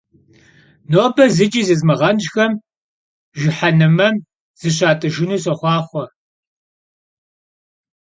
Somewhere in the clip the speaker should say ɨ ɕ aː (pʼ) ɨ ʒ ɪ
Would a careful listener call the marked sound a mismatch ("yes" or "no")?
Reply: yes